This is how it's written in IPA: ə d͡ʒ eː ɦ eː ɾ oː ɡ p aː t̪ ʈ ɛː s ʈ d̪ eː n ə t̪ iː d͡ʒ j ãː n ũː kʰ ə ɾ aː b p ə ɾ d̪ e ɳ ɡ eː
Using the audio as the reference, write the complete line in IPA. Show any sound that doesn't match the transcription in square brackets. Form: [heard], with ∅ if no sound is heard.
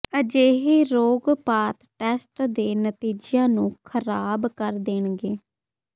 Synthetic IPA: ə d͡ʒ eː ɦ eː ɾ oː ɡ p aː t̪ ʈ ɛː s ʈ d̪ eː n ə t̪ iː d͡ʒ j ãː n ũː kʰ ə ɾ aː b [k] ə ɾ d̪ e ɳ ɡ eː

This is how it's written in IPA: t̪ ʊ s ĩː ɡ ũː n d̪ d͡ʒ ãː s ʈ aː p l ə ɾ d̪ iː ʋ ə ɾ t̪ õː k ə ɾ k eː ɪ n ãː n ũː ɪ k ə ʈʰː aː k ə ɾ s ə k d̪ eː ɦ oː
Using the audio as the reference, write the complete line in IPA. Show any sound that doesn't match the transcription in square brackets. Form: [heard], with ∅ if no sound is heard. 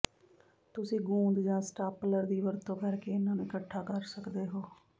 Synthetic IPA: t̪ ʊ s ĩː ɡ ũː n d̪ d͡ʒ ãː s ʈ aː p l ə ɾ d̪ iː ʋ ə ɾ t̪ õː k ə ɾ k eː ɪ n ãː n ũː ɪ k ə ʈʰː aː k ə ɾ s ə k d̪ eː ɦ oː

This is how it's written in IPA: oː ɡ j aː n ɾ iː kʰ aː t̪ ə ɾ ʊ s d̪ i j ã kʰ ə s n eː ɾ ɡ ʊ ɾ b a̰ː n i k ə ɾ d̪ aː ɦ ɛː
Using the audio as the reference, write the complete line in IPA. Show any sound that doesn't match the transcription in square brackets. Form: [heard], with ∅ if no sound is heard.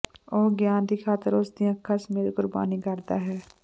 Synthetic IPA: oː ɡ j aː n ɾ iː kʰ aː t̪ ə ɾ ʊ s d̪ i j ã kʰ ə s [m] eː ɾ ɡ ʊ ɾ b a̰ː n i k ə ɾ d̪ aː ɦ ɛː

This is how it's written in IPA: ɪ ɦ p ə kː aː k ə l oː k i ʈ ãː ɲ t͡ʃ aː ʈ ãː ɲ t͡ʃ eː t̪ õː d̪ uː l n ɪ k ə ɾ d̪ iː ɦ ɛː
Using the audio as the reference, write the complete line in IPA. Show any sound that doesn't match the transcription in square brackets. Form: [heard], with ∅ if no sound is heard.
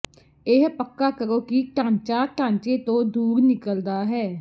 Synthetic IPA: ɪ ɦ p ə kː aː k ə [ɾ] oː k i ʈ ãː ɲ t͡ʃ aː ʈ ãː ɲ t͡ʃ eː t̪ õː d̪ uː [ɾ] n ɪ k ə [l] d̪ [aː] ɦ ɛː

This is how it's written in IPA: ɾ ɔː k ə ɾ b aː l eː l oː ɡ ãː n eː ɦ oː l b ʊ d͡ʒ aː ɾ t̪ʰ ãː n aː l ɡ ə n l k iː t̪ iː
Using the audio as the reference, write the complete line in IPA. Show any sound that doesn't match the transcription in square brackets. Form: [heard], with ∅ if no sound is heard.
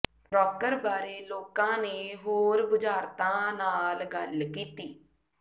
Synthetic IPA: ɾ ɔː k ə ɾ b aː [ɾ] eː l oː [k] ãː n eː ɦ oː [ɾ] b ʊ d͡ʒ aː ɾ [t̪] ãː n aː l ɡ ə [∅] l k iː t̪ iː

